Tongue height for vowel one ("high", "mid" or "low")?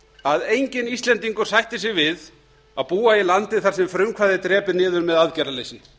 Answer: low